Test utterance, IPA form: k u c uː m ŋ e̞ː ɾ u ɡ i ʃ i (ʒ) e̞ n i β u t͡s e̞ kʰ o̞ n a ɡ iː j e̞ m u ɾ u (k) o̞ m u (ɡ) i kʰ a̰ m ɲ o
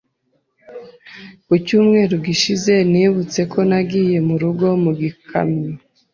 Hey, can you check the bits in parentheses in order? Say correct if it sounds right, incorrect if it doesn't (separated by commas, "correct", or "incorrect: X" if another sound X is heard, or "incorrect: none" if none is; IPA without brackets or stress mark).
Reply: incorrect: z, incorrect: ɡ, correct